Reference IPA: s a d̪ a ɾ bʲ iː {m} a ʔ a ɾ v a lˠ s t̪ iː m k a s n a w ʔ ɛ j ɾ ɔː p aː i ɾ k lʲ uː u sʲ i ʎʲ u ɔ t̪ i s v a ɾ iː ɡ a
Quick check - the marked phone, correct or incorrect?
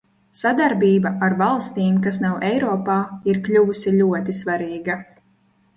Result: incorrect